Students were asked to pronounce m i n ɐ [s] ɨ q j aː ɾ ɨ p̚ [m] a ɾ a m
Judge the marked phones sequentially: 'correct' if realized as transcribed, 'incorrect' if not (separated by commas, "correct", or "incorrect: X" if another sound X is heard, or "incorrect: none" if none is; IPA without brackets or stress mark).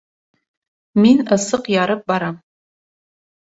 correct, incorrect: b